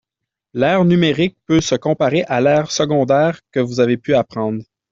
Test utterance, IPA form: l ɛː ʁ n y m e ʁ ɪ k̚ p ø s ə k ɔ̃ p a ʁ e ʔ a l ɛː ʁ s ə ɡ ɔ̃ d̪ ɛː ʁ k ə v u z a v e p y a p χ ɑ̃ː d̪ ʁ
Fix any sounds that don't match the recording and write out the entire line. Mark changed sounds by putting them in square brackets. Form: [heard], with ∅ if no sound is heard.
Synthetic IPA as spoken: l ɛː ʁ n y m e ʁ ɪ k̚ p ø s ə k ɔ̃ p a ʁ e ʔ a l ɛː ʁ s ə ɡ ɔ̃ d̪ ɛː ʁ k ə v u z a v e p y a p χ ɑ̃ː d̪ ʁ

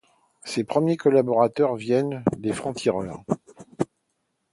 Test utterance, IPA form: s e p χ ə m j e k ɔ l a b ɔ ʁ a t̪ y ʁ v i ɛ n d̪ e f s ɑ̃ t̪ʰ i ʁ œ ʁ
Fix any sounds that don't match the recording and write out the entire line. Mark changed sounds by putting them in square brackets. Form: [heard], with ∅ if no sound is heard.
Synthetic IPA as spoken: s e p χ ə m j e k ɔ l a b ɔ ʁ a t̪ [œ] ʁ v [j] ɛ n d̪ e f [χ] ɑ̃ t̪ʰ i ʁ œ ʁ

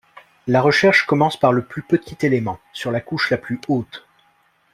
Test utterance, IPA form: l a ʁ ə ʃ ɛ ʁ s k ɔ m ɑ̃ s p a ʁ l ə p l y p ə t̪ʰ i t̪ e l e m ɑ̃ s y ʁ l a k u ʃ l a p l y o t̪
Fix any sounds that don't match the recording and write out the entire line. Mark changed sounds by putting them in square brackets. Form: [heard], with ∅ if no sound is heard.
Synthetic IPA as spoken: l a ʁ ə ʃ ɛ ʁ [ʃ] k ɔ m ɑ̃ s p a ʁ l ə p l y p ə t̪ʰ i t̪ e l e m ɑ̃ s y ʁ l a k u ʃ l a p l y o t̪

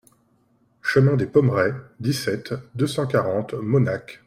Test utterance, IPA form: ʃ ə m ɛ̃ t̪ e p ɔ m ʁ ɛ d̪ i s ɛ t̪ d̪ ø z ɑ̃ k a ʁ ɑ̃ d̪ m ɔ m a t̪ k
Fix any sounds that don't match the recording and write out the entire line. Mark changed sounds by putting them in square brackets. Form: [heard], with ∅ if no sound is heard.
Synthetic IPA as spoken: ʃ ə m ɛ̃ [d̪] e p ɔ m ʁ ɛ d̪ i s ɛ t̪ d̪ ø [s] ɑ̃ k a ʁ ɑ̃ [t̪] m ɔ [n] a [∅] k

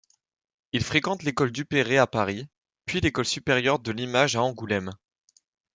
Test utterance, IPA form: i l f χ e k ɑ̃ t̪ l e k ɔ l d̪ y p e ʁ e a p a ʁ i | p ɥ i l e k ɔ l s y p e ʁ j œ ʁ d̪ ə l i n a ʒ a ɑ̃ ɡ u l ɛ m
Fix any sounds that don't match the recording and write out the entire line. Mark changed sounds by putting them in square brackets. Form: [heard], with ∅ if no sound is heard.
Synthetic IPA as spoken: i l f χ e k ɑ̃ t̪ l e k ɔ l d̪ y p e ʁ e a p a ʁ i | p ɥ i l e k ɔ l s y p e ʁ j œ ʁ d̪ ə l i [m] a ʒ a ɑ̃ ɡ u l ɛ m

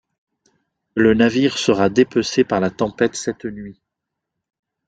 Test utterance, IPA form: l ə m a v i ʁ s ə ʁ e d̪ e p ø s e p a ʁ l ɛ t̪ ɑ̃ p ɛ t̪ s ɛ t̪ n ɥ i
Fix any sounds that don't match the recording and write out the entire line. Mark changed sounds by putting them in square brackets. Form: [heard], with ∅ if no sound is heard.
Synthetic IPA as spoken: l ə [n] a v i ʁ s ə ʁ [a] d̪ e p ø s e p a ʁ l [a] t̪ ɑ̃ p ɛ t̪ s ɛ t̪ n ɥ i

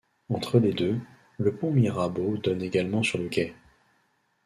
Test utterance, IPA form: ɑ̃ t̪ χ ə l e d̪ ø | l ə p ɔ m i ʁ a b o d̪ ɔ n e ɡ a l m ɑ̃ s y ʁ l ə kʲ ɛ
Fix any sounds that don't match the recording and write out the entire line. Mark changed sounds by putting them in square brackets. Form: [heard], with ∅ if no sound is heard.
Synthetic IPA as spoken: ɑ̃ t̪ χ ə l e d̪ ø | l ə p [ɔ̃] m i ʁ a b o d̪ ɔ n e ɡ a l m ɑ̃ s y ʁ l ə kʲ ɛ

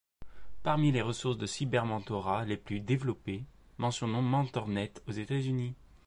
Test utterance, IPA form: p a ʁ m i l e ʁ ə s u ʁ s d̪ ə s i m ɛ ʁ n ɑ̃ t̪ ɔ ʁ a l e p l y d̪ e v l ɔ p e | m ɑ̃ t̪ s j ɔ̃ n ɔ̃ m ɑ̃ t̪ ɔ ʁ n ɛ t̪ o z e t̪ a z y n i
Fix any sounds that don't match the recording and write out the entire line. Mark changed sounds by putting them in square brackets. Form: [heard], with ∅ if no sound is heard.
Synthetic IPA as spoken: p a ʁ m i l e ʁ ə s u ʁ s d̪ ə s i [b] ɛ ʁ [m] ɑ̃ t̪ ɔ ʁ a l e p l y d̪ e v l ɔ p e | m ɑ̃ [∅] s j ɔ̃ n ɔ̃ m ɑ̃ t̪ ɔ ʁ n ɛ t̪ o z e t̪ a z y n i

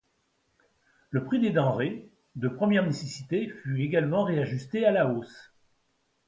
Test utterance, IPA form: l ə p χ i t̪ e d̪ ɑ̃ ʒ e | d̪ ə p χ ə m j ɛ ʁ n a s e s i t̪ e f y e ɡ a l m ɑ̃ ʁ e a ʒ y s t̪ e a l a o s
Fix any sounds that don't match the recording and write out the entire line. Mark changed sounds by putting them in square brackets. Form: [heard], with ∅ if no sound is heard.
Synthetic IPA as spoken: l ə p χ i [d̪] e d̪ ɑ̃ [ʁ] e | d̪ ə p χ ə m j ɛ ʁ n [e] s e s i t̪ e f y e ɡ a l m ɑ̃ ʁ e a ʒ y s t̪ e a l a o s

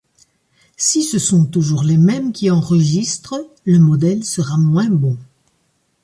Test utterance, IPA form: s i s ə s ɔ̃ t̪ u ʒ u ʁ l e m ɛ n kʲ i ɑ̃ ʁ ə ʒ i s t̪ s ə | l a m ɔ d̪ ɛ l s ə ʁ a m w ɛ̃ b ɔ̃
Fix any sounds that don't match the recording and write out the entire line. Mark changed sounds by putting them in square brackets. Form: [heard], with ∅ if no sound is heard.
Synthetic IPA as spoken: s i s ə s ɔ̃ t̪ u ʒ u ʁ l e m ɛ [m] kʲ i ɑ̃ ʁ ə ʒ i s t̪ [χ] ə | l [ə] m ɔ d̪ ɛ l s ə ʁ a m w ɛ̃ b ɔ̃

